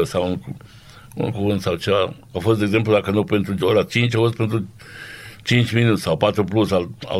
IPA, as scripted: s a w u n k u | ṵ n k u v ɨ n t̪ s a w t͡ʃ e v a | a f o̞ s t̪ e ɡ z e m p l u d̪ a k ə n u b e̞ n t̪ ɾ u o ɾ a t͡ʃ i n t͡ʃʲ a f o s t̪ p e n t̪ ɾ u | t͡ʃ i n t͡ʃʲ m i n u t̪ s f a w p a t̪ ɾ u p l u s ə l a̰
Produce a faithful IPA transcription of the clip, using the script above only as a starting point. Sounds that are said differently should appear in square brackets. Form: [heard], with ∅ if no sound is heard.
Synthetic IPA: s a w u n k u | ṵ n k u v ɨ n t̪ s a w t͡ʃ e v a | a f o̞ s t̪ e ɡ z e m p l u d̪ a k ə n u [p] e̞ n t̪ ɾ u o ɾ a t͡ʃ i n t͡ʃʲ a f o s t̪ p e n t̪ ɾ u | t͡ʃ i n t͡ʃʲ m i n u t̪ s [s] a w p a t̪ ɾ u p l u s [a] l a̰